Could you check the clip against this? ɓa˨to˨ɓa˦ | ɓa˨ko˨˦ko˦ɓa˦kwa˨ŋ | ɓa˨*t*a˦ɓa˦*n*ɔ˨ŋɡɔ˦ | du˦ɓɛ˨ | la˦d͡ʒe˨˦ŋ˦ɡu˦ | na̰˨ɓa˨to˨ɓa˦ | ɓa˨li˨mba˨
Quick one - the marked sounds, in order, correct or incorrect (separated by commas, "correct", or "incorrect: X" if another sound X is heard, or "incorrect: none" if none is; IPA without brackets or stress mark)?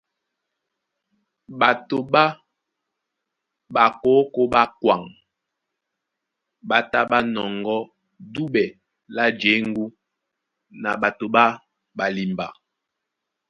correct, correct